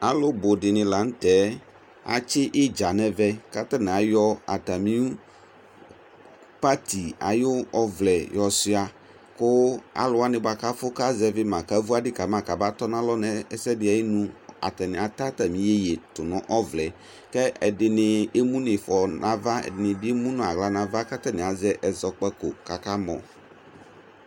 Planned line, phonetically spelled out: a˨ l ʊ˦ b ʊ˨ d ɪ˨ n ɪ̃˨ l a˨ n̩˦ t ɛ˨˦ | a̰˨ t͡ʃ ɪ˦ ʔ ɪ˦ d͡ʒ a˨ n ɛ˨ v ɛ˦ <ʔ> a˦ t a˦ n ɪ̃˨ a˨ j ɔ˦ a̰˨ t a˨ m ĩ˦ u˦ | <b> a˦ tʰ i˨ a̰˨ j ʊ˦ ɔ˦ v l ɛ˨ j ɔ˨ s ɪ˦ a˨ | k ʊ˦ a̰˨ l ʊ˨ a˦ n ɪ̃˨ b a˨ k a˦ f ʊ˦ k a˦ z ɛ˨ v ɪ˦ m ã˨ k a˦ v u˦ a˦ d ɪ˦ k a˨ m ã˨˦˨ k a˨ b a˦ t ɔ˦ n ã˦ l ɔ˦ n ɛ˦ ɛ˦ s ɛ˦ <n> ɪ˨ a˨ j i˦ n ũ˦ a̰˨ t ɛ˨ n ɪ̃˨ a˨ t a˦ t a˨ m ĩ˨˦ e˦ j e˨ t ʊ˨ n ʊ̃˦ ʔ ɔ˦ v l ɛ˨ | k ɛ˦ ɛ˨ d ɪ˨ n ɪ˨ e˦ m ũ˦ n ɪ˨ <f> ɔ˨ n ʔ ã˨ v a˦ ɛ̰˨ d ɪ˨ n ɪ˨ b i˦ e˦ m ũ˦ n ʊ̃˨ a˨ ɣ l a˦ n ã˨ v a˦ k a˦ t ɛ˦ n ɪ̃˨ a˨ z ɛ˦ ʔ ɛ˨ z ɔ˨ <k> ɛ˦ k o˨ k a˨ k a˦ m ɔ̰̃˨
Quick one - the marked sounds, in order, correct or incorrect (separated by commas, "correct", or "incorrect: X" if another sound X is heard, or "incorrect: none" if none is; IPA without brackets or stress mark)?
incorrect: k, incorrect: p, incorrect: d, correct, incorrect: k͡p